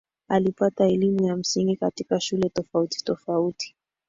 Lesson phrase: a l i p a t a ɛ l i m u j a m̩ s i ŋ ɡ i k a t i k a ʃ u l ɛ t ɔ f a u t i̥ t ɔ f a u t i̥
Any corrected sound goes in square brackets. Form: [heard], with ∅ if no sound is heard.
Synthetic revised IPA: a l i p a t a ɛ l i m u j a m̩ s i ŋ ɡ i k a t i k a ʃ u l ɛ t ɔ f a u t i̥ t ɔ f a u t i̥